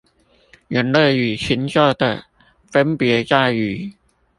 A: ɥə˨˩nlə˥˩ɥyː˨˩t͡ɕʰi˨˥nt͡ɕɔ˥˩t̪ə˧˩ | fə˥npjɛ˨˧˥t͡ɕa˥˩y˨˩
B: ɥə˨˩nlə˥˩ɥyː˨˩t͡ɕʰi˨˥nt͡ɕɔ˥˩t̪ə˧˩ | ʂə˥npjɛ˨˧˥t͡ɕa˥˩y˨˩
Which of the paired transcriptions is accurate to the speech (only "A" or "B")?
A